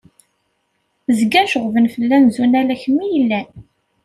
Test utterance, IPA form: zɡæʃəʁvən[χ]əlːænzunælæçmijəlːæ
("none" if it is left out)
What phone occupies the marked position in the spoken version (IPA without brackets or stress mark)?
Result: f